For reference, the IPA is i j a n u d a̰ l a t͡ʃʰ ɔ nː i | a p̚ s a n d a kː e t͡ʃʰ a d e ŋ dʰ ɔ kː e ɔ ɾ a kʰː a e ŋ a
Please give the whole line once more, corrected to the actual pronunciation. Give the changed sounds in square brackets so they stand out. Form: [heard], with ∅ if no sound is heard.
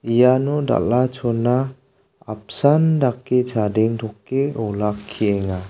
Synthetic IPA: i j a n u d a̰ l a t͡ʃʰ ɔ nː [a] | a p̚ s a n d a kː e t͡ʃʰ a d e ŋ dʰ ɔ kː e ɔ [l] a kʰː [i] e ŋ a